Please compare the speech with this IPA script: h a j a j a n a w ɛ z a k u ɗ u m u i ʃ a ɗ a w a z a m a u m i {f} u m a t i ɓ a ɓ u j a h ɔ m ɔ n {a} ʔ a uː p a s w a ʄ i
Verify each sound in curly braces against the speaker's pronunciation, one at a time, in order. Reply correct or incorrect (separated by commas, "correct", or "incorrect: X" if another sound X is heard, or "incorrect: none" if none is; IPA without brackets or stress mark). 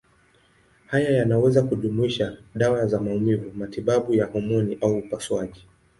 incorrect: v, incorrect: i